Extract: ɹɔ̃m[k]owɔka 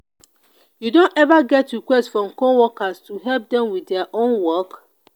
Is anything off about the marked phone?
no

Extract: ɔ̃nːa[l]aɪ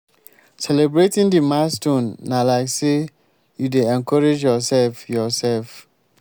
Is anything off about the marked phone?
no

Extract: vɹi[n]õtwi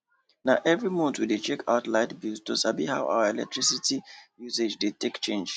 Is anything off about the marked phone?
yes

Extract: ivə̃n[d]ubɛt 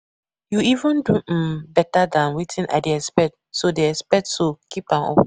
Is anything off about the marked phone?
no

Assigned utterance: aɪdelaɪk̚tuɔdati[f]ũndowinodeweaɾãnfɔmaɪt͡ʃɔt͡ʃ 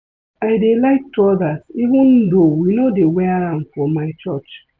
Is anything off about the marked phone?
yes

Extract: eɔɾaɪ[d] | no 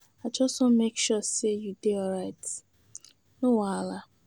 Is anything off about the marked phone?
yes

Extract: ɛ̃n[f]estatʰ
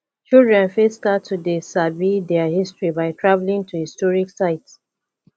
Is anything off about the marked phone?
no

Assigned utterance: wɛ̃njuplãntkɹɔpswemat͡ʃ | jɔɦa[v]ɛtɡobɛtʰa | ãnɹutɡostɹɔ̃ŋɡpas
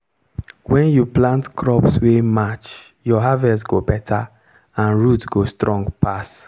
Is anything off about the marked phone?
no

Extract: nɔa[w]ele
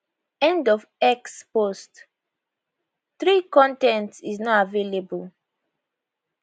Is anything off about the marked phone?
yes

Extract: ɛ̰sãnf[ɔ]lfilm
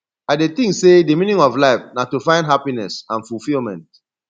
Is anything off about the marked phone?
yes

